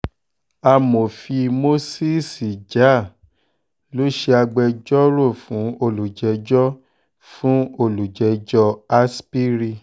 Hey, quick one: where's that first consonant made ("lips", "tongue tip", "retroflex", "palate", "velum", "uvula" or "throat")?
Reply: lips